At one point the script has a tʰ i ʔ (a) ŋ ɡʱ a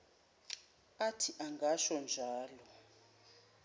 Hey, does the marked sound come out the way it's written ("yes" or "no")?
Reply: yes